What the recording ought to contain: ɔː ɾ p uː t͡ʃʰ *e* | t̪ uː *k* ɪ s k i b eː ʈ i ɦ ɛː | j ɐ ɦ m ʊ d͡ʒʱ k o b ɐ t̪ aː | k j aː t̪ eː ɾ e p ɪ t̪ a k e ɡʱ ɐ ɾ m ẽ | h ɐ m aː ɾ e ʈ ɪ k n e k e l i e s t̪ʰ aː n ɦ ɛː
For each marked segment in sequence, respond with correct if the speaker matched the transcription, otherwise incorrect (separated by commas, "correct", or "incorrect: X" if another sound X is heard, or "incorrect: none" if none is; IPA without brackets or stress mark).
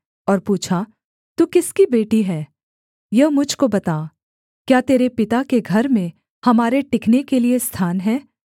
incorrect: a, correct